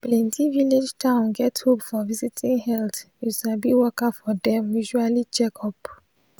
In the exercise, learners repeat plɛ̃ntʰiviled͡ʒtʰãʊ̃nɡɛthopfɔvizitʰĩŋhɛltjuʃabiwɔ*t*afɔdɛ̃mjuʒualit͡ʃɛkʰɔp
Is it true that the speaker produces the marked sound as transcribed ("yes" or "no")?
no